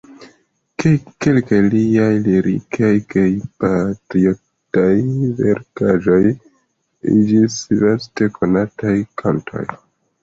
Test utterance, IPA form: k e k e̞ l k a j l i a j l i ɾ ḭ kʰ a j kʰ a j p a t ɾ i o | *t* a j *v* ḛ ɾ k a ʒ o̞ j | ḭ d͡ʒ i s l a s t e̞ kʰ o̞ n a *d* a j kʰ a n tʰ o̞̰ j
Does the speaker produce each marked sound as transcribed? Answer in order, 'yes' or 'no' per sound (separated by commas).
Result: yes, yes, no